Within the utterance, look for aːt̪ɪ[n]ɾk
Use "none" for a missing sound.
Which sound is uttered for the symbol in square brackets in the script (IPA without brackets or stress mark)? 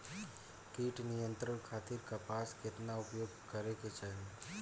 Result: none